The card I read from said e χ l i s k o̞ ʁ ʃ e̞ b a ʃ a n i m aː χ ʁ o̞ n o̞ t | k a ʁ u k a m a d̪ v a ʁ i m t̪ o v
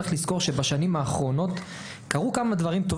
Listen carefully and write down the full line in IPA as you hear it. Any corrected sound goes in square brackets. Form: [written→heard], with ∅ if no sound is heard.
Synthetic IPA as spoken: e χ l i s k o̞ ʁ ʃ e̞ b a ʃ a n i m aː χ ʁ o̞ n o̞ t | k a ʁ u k a m a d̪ v a ʁ i m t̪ o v